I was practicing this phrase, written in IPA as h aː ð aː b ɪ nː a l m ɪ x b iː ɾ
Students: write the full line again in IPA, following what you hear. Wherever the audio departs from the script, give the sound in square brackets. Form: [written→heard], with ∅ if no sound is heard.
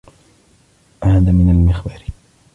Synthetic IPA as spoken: h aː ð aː [b→m] ɪ [nː→n] a l m ɪ x b [iː→aː] ɾ